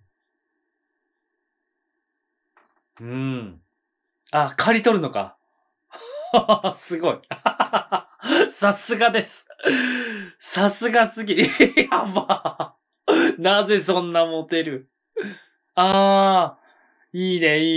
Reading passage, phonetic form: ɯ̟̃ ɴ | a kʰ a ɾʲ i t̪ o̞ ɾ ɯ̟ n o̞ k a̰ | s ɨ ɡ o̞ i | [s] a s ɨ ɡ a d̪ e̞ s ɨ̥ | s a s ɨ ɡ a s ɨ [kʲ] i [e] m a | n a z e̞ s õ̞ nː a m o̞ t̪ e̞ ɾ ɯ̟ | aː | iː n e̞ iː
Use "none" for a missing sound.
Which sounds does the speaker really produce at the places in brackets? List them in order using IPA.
s, ɡʲ, a

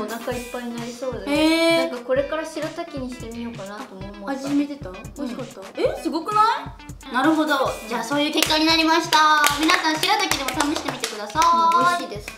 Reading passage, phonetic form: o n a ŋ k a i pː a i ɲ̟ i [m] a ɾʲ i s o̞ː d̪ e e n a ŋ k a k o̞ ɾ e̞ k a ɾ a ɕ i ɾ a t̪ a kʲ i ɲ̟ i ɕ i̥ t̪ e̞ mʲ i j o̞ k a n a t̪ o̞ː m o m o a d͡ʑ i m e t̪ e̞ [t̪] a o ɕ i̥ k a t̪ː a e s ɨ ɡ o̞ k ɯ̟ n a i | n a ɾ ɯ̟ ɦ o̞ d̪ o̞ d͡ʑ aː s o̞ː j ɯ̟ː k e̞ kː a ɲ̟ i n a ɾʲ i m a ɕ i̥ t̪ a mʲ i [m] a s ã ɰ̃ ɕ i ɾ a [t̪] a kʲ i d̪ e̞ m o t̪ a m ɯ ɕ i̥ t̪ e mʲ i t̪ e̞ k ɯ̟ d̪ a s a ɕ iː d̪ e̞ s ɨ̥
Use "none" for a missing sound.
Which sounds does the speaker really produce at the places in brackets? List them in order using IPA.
n, t̪, n, t̪

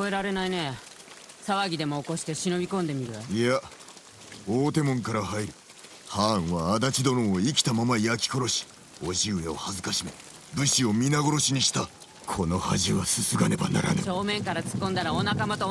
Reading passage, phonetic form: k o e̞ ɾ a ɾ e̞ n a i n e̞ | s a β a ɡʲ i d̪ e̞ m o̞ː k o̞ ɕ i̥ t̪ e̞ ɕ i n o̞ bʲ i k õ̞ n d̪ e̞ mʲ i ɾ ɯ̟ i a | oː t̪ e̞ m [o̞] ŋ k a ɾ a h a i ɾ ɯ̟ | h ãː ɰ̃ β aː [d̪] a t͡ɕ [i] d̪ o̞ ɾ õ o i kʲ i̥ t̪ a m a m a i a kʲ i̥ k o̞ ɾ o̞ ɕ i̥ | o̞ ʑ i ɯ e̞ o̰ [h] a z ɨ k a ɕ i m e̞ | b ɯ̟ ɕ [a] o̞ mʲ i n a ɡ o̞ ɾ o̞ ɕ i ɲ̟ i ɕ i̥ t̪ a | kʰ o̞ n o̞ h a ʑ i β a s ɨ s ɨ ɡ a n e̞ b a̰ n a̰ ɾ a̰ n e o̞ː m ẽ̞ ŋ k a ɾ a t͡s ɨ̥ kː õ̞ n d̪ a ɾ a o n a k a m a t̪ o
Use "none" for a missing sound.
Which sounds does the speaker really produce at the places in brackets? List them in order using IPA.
õ̞, d̪, i, h, i

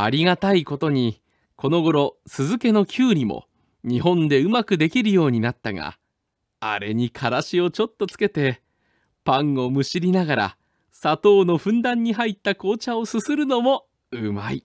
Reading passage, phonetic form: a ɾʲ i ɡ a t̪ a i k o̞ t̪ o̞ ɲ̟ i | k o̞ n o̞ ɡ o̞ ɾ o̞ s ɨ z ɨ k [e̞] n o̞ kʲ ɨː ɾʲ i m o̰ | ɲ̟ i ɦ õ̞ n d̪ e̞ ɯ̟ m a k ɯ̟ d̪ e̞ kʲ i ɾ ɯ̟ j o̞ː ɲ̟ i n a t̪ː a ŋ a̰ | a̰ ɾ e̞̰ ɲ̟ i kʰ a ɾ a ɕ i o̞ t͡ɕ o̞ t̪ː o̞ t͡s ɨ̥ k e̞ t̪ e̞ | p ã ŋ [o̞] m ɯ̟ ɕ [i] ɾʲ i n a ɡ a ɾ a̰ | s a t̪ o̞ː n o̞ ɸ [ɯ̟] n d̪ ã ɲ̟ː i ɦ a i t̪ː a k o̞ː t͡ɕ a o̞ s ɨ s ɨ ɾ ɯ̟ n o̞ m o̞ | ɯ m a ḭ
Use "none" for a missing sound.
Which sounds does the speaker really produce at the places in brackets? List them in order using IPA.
e̞, o̞, i, ɯ̟̃

